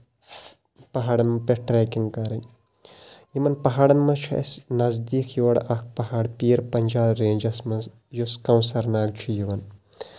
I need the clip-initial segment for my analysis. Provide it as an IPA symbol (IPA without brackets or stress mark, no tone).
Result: p